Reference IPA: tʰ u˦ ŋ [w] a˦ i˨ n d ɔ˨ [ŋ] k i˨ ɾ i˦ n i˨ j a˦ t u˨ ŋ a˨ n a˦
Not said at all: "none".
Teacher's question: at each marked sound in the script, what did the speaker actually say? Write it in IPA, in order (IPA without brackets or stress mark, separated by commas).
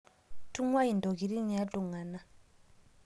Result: w, none